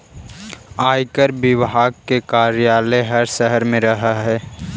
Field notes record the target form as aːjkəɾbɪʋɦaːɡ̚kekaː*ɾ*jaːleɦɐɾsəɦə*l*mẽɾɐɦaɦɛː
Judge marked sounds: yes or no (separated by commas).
yes, no